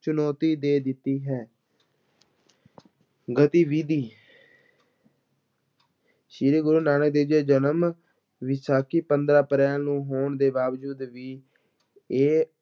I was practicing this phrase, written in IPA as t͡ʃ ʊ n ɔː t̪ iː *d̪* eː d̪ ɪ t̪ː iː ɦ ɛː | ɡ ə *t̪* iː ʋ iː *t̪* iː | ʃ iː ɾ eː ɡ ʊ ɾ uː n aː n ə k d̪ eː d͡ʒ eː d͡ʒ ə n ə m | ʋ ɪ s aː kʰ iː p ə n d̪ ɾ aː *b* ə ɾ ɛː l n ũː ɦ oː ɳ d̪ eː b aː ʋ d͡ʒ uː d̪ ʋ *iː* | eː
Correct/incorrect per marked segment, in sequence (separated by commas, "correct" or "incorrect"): correct, correct, incorrect, incorrect, correct